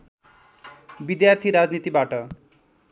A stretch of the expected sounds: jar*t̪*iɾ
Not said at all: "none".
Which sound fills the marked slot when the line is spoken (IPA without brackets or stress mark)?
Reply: t̪ʰ